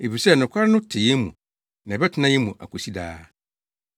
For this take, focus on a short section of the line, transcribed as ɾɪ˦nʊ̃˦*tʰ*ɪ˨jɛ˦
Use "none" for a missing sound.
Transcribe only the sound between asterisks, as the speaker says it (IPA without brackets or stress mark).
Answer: tʰ